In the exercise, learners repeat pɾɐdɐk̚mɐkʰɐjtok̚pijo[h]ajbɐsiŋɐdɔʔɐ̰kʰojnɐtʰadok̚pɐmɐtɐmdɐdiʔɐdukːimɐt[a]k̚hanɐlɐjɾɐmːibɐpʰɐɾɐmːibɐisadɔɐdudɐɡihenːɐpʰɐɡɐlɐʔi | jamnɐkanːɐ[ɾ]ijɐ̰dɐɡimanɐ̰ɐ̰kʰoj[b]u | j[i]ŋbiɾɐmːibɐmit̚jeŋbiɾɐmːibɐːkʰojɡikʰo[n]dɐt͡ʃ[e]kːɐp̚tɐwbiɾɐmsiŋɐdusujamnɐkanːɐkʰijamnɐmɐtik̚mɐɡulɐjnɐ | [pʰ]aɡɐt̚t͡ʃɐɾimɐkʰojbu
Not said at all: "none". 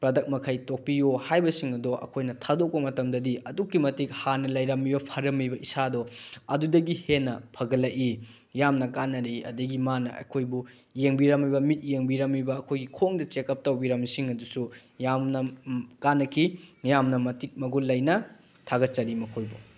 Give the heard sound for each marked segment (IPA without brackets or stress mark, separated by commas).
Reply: h, i, ɾ, b, e, ŋ, e, tʰ